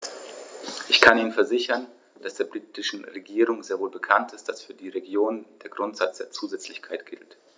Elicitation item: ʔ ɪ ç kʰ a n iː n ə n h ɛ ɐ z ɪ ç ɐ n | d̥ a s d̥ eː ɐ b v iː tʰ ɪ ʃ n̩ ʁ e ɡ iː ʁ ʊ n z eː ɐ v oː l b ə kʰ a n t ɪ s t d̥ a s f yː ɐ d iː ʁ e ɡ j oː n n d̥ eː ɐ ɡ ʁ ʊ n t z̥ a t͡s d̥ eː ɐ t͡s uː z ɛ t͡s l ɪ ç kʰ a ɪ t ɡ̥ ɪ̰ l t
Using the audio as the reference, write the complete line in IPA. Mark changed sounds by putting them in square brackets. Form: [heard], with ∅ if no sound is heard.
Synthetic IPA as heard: ʔ ɪ ç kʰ a n iː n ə n [f] ɛ ɐ z ɪ ç ɐ n | d̥ a s d̥ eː ɐ b [ʁ] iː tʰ ɪ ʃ n̩ ʁ e ɡ iː ʁ ʊ [ŋ] z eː ɐ v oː l b ə kʰ a n t ɪ s t d̥ a s f yː ɐ d iː ʁ e ɡ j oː n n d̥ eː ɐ ɡ ʁ ʊ n t z̥ a t͡s d̥ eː ɐ t͡s uː z ɛ t͡s l ɪ ç kʰ a ɪ t ɡ̥ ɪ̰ l t

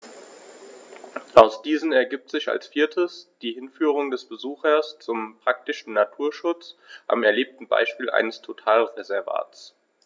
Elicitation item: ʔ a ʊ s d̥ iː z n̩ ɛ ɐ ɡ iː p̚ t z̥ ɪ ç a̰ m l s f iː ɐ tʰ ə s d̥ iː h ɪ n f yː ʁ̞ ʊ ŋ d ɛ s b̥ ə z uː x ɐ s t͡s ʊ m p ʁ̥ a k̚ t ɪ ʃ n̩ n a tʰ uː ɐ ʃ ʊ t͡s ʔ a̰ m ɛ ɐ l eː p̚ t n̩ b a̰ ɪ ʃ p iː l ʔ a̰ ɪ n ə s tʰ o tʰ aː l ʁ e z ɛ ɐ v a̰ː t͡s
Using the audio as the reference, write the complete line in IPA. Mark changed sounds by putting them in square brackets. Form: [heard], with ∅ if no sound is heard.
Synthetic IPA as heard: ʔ a ʊ s d̥ iː z n̩ ɛ ɐ ɡ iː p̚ t z̥ ɪ ç a̰ [∅] l s f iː ɐ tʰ ə s d̥ iː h ɪ n f yː ʁ̞ ʊ ŋ d ɛ s b̥ ə z uː x ɐ s t͡s ʊ m p ʁ̥ a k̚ t ɪ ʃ n̩ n a tʰ uː ɐ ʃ ʊ t͡s ʔ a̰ m ɛ ɐ l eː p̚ t n̩ b a̰ ɪ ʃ p iː l ʔ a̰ ɪ n ə s tʰ o tʰ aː l ʁ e z ɛ ɐ v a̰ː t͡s

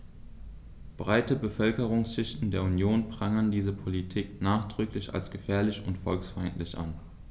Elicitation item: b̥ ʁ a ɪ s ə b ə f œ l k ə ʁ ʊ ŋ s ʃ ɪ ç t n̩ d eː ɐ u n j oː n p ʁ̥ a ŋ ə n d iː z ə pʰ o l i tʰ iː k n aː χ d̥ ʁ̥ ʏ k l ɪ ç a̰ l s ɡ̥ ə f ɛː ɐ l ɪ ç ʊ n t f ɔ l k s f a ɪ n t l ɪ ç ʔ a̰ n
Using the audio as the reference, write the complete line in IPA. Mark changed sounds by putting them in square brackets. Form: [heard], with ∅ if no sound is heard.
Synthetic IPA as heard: b̥ ʁ a ɪ [t] ə b ə f œ l k ə ʁ ʊ ŋ s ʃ ɪ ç t n̩ d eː ɐ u n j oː n p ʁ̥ a ŋ ə n d iː z ə pʰ o l i tʰ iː k n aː χ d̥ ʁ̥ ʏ k l ɪ ç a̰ l s ɡ̥ ə f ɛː ɐ l ɪ ç ʊ n t f ɔ l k s f a ɪ n t l ɪ ç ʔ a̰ n

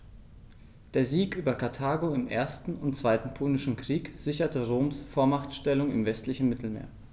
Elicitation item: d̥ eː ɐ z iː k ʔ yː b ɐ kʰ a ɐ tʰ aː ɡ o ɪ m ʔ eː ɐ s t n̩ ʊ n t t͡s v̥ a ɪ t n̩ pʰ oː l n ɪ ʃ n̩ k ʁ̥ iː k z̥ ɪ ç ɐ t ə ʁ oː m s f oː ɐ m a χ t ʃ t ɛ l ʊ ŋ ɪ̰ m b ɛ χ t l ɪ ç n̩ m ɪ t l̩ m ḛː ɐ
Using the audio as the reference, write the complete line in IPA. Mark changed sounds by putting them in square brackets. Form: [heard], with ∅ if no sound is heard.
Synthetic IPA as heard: d̥ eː ɐ z iː k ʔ yː b ɐ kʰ a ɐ tʰ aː ɡ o ɪ m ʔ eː ɐ s t n̩ ʊ n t t͡s v̥ a ɪ t n̩ pʰ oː l n ɪ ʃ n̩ k ʁ̥ iː k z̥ ɪ ç ɐ t ə ʁ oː m s f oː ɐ m a χ t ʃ t ɛ l ʊ ŋ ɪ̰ m [v] ɛ [s] t l ɪ ç n̩ m ɪ t l̩ m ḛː ɐ

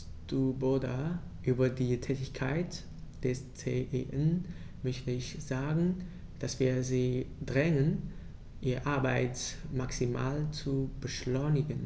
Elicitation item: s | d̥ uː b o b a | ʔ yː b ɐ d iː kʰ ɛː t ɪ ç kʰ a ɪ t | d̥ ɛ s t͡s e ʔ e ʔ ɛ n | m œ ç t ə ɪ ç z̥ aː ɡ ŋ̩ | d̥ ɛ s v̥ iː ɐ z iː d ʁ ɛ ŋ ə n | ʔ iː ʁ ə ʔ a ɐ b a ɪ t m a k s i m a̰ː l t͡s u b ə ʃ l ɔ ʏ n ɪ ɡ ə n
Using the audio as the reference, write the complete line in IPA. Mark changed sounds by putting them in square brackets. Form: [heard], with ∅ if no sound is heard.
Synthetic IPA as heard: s | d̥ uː b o [d] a | ʔ yː b ɐ d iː [tʰ] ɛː t ɪ ç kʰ a ɪ t | d̥ ɛ s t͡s e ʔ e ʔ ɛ n | m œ ç t ə ɪ ç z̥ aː ɡ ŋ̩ | d̥ [a] s v̥ iː ɐ z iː d ʁ ɛ ŋ ə n | ʔ iː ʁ ə ʔ a ɐ b a ɪ t m a k s i m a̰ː l t͡s u b ə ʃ l ɔ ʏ n ɪ ɡ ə n

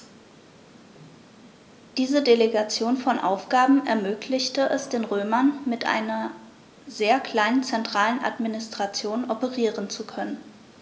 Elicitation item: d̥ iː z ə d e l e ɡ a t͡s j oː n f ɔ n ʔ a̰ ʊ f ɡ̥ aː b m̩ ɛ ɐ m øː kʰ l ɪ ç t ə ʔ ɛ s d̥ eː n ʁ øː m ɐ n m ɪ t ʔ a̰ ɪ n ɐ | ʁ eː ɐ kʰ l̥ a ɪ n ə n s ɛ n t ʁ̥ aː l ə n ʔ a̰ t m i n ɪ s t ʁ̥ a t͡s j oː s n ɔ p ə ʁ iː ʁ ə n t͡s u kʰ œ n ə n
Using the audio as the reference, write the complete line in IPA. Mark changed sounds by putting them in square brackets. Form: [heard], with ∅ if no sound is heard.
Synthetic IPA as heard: d̥ iː z ə d e l e ɡ a t͡s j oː n f ɔ n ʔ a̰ ʊ f ɡ̥ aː b m̩ ɛ ɐ m øː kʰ l ɪ ç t ə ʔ ɛ s d̥ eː n ʁ øː m ɐ n m ɪ t ʔ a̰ ɪ n ɐ | [z] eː ɐ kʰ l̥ a ɪ n ə n [t͡s] ɛ n t ʁ̥ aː l ə n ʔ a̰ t m i n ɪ s t ʁ̥ a t͡s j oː [∅] n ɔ p ə ʁ iː ʁ ə n t͡s u kʰ œ n ə n

